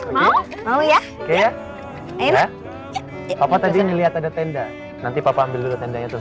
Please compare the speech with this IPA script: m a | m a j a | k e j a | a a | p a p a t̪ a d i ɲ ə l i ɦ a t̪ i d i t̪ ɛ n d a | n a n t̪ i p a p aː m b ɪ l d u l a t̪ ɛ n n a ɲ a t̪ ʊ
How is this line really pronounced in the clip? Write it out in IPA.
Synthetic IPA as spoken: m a | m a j a | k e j a | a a | p a p a t̪ a d i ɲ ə l i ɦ a t̪ a d a t̪ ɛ n d a | n a n t̪ i p a p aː m b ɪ l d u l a t̪ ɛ n d a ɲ a t̪ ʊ